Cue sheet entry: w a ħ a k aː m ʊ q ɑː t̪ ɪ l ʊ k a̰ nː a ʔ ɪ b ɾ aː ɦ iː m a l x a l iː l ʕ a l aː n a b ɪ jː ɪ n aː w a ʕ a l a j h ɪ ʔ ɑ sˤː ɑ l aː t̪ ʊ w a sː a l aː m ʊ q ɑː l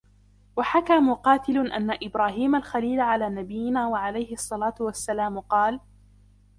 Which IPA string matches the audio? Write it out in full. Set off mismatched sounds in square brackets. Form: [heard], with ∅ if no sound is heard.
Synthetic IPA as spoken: w a ħ a k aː m ʊ q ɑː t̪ ɪ l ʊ [ʔ] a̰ nː a ʔ ɪ b ɾ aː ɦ iː m a l x a l iː l ʕ a l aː n a b ɪ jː ɪ n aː w a ʕ a l a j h ɪ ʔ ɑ sˤː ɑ l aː t̪ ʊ w a sː a l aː m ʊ q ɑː l